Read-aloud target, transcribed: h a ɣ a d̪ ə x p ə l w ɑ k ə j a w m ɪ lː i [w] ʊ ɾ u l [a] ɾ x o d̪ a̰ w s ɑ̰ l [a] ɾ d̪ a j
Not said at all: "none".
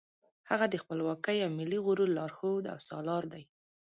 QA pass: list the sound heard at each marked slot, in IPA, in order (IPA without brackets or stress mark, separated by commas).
ɣ, ɑ, ɑ